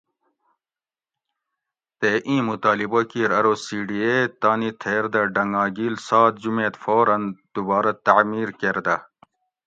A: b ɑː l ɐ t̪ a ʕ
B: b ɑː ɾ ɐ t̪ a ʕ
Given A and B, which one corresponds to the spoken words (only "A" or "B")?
B